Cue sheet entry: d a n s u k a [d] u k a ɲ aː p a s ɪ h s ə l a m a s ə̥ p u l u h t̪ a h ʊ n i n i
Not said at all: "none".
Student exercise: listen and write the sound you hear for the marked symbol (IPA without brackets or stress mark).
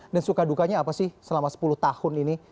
d